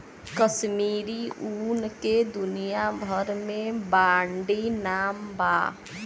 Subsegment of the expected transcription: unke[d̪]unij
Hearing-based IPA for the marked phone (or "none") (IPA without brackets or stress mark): d̪